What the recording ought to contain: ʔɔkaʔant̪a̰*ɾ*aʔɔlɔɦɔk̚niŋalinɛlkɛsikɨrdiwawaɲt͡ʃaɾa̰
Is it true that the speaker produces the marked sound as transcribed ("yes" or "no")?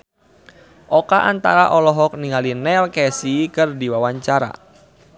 yes